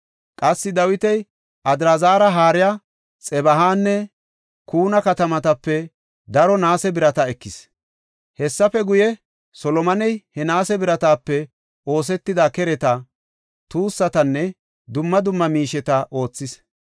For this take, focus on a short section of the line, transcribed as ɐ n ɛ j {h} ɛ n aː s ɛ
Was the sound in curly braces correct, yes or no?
yes